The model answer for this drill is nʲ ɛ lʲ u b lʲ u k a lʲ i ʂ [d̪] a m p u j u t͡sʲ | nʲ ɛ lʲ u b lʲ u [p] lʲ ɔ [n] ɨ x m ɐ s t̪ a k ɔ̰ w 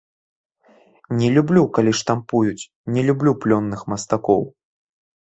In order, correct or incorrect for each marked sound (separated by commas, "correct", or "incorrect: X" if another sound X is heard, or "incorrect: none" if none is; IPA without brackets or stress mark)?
incorrect: t̪, correct, incorrect: nː